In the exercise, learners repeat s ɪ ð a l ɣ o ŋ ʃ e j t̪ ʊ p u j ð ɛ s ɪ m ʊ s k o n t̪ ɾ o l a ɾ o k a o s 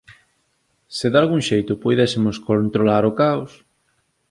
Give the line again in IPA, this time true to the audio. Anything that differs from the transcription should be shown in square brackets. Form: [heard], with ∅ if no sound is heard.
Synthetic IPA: s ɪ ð a l ɣ [u] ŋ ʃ e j t̪ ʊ p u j ð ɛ s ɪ m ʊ s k o n t̪ ɾ o l a ɾ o k a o s